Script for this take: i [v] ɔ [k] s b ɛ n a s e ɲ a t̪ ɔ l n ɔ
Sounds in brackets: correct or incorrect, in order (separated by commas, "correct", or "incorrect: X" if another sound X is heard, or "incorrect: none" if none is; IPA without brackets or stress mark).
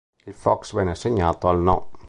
incorrect: f, correct